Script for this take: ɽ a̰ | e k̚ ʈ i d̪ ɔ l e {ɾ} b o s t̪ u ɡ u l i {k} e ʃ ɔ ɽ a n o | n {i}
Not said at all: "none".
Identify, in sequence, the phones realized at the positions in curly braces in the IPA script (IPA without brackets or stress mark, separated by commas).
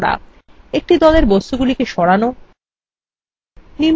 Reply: ɾ, k, i